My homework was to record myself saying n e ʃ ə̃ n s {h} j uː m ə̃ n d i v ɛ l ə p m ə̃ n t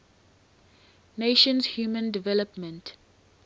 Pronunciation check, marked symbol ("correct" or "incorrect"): correct